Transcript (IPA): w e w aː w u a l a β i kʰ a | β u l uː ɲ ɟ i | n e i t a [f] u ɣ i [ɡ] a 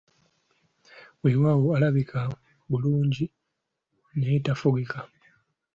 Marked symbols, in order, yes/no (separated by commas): yes, no